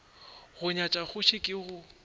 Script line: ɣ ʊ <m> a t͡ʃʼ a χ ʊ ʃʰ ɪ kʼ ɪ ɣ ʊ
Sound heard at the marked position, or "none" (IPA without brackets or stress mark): ɲ